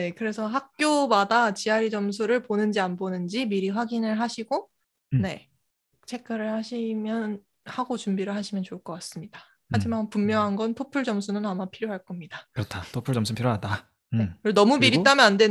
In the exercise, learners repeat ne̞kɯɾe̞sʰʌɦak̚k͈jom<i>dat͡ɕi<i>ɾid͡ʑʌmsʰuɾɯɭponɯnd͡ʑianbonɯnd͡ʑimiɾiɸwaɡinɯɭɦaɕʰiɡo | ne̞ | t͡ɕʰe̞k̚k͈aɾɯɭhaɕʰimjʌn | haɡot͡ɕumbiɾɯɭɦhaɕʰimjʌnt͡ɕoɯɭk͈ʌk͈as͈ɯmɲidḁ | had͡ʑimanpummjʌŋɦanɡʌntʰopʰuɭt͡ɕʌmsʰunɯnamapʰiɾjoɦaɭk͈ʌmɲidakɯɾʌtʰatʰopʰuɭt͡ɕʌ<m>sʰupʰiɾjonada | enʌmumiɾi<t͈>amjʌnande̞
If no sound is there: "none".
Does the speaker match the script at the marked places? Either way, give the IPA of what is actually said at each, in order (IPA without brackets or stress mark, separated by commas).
a, a, m, t͈